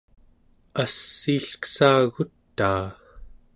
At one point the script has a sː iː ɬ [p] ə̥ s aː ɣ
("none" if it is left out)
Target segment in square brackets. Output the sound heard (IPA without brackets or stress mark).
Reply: k